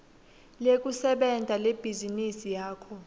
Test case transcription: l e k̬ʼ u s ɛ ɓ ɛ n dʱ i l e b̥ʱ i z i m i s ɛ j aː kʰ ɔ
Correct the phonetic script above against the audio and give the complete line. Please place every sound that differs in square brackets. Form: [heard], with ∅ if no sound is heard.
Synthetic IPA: l e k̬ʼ u s ɛ ɓ ɛ n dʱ [a] l e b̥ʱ i z i [n] i s [i] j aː kʰ ɔ